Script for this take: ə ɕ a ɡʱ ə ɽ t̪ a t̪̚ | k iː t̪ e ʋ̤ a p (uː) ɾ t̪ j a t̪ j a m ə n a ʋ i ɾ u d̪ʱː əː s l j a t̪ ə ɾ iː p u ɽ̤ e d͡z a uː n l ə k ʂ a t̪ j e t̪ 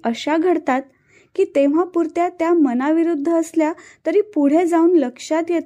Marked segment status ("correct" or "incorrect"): incorrect